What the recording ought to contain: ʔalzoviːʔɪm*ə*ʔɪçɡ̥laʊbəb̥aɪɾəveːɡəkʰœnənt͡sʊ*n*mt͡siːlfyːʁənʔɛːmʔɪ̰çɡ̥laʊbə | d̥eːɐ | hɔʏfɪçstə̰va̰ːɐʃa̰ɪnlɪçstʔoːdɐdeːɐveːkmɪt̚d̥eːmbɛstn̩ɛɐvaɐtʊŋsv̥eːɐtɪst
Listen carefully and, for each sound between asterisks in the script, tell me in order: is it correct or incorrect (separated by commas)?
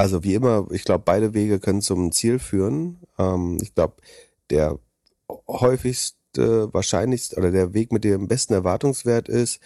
incorrect, incorrect